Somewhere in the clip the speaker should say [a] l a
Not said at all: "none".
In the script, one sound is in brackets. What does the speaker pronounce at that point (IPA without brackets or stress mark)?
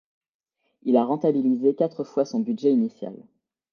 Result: i